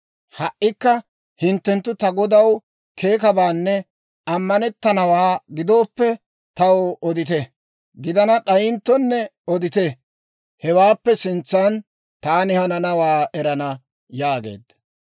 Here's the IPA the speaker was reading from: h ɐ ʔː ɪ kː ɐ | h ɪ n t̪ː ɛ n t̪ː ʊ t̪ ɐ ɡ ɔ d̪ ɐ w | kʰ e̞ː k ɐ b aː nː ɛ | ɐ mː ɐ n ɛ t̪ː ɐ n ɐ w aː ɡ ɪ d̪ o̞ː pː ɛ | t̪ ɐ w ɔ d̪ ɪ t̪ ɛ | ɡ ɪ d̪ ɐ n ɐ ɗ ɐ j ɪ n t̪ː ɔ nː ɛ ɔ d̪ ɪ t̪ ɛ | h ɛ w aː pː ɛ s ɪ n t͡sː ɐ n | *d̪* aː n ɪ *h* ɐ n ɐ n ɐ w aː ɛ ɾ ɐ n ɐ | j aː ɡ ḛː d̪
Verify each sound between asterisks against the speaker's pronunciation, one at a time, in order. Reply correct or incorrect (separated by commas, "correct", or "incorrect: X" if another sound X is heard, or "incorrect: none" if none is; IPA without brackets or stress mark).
incorrect: t̪, correct